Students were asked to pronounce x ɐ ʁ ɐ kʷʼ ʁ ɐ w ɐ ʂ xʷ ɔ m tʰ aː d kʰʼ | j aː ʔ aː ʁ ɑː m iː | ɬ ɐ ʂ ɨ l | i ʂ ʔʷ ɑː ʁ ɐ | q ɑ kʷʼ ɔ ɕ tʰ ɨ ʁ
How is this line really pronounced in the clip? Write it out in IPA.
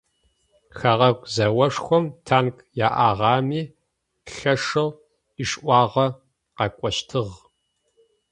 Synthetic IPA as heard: x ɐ ʁ ɐ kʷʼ z ɐ w ɐ ʂ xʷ ɔ m tʰ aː n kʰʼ | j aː ʔ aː ʁ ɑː m iː | ɬ ɐ ʂ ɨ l | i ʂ ʔʷ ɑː ʁ ɐ | q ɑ kʷʼ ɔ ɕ tʰ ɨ ʁ